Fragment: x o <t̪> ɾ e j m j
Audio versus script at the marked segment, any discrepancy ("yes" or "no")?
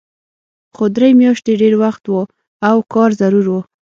yes